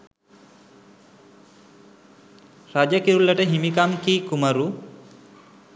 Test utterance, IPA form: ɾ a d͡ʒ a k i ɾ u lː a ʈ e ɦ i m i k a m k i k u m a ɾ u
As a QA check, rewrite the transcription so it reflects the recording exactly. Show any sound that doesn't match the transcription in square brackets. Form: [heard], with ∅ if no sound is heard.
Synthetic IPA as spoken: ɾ a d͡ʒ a k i ɾ u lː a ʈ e ɦ i m i k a m k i k u m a ɾ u